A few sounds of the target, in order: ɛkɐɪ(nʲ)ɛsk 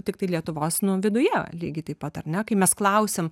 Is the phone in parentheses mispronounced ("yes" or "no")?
yes